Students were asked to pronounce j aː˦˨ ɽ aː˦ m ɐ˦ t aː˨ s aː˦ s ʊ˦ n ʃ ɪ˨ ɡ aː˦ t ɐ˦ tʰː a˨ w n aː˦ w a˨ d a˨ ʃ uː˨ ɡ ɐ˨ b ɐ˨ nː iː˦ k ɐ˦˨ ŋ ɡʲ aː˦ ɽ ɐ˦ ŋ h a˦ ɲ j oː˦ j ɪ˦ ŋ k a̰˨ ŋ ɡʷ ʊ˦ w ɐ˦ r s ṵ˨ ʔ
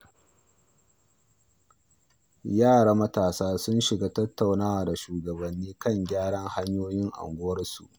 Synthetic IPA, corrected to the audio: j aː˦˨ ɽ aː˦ m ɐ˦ t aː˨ s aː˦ s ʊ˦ n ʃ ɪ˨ ɡ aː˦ t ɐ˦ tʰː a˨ w n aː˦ w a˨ d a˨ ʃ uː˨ ɡ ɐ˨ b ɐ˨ nː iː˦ k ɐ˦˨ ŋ ɡʲ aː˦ ɽ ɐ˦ ŋ h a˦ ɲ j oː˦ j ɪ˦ ŋ ʔ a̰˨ ŋ ɡʷ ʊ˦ w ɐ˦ r s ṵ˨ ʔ

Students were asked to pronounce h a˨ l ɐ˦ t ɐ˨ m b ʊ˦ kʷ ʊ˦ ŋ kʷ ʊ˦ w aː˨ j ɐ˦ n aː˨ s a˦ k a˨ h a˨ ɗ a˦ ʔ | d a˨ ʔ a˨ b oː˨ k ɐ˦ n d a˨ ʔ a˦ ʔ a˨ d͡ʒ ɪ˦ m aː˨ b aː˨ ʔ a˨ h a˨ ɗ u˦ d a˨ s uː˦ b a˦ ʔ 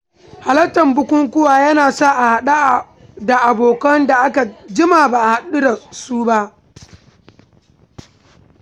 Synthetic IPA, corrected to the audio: h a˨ l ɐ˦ t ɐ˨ m b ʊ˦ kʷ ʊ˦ ŋ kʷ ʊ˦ w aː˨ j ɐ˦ n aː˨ s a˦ ʔ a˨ h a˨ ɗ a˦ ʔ | d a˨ ʔ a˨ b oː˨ k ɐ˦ n d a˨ ʔ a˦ k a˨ d͡ʒ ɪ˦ m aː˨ b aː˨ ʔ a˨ h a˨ ɗ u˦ d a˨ s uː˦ b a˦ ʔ

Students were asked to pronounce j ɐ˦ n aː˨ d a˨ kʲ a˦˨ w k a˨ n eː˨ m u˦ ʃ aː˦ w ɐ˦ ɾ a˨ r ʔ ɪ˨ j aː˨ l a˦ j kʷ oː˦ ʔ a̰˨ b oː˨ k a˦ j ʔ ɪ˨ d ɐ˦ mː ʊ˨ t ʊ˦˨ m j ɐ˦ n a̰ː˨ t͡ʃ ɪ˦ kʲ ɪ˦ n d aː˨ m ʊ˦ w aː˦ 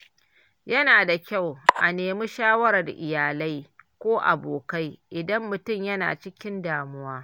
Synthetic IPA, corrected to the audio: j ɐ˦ n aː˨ d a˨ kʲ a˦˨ w ʔ a˨ n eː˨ m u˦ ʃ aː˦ w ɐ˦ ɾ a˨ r ʔ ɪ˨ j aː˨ l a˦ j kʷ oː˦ ʔ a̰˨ b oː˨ k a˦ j ʔ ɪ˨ d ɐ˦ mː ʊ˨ t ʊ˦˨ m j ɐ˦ n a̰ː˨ t͡ʃ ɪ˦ kʲ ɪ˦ n d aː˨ m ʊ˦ w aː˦

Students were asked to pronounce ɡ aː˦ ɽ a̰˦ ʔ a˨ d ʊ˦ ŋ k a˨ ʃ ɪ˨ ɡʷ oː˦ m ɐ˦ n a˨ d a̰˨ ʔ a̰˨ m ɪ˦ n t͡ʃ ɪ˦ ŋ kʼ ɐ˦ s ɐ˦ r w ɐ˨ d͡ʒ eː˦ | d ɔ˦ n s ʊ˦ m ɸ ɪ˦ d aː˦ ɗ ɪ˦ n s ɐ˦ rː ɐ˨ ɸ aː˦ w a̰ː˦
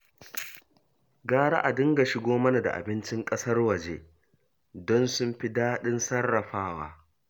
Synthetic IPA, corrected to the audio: ɡ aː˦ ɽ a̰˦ ʔ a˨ d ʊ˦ ŋ ɡ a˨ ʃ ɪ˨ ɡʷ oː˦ m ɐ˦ n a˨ d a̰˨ ʔ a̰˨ b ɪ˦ n t͡ʃ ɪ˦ ŋ kʼ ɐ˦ s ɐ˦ r w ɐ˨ d͡ʒ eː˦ | d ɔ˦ n s ʊ˦ m ɸ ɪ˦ d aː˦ ɗ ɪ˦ n s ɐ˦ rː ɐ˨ ɸ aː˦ w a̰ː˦

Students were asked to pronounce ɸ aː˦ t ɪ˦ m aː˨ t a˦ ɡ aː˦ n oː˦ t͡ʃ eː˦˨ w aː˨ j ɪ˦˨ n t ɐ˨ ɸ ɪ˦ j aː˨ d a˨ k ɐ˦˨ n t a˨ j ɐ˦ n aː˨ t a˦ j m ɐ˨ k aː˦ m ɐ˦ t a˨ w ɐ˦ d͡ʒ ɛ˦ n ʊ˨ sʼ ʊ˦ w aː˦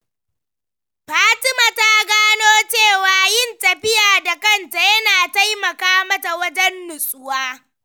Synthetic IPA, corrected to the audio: ɸ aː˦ t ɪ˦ m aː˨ t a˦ ɡ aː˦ n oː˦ t͡ʃ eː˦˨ w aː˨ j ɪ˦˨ n t ɐ˨ ɸ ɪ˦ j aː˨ d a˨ k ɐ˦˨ n t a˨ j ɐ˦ n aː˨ t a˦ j m ɐ˨ k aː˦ m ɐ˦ t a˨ w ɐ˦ d͡ʒ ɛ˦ nː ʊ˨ sʼ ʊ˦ w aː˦

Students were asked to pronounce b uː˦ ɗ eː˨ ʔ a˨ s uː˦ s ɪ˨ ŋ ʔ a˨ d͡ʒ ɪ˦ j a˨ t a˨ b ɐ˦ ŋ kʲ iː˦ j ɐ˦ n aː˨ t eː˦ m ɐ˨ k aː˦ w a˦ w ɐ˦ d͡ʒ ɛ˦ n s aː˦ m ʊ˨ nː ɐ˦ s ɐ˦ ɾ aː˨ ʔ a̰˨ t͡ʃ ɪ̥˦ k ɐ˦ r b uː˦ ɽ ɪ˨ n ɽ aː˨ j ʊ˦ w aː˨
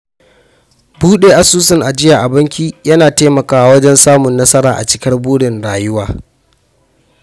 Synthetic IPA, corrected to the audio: b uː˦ ɗ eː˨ ʔ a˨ s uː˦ s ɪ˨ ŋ ʔ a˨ d͡ʒ ɪ˦ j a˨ ʔ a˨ b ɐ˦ ŋ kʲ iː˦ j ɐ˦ n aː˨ t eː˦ m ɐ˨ k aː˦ w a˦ w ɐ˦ d͡ʒ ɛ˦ n s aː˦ m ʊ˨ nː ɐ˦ s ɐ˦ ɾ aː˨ ʔ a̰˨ t͡ʃ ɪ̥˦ k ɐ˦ r b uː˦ ɽ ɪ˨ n ɽ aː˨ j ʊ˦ w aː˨

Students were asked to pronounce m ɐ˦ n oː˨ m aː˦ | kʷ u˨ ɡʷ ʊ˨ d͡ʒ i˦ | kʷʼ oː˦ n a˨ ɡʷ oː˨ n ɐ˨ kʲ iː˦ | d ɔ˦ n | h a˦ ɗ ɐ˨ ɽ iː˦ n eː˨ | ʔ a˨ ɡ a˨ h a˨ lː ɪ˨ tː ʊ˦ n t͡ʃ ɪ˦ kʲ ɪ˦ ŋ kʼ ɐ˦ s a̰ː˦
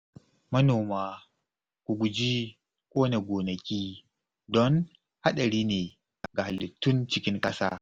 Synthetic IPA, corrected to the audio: m ɐ˦ n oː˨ m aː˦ | kʷ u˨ ɡʷ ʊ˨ d͡ʒ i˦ | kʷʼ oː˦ n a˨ ɡʷ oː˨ n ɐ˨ kʲ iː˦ | d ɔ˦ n | h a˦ ɗ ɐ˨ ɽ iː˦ n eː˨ | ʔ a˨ ɡ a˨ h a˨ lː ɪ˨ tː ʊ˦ n t͡ʃ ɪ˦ kʲ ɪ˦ ŋ kʼ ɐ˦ s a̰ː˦

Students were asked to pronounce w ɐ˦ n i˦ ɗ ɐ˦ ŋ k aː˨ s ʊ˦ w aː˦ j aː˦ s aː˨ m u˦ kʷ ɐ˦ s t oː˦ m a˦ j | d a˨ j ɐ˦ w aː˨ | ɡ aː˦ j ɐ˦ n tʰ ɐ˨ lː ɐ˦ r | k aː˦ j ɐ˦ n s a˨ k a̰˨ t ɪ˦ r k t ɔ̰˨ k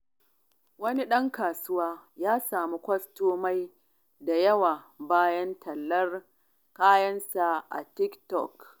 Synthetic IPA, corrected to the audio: w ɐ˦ n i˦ ɗ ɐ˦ ŋ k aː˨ s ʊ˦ w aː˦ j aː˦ s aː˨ m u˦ kʷ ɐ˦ s t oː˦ m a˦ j | d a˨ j ɐ˦ w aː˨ | b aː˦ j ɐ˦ n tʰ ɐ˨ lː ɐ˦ r | k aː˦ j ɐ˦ n s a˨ ʔ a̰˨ t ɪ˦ k t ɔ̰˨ k

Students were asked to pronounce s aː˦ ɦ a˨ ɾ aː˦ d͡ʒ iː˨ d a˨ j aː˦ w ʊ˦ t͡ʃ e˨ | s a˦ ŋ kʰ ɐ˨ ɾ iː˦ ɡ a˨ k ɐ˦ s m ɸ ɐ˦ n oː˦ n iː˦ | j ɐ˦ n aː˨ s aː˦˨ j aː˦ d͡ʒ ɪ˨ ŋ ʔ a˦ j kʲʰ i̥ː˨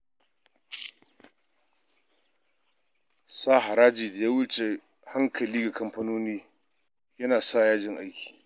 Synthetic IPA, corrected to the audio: s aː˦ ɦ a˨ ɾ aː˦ d͡ʒ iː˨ d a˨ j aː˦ w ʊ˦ t͡ʃ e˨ | h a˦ ŋ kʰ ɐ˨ l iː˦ ɡ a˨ k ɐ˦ m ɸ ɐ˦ n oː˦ n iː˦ | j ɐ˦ n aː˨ s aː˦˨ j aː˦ d͡ʒ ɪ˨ ŋ ʔ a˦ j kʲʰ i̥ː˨

